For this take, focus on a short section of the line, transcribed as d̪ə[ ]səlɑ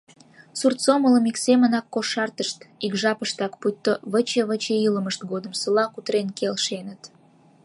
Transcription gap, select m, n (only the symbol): m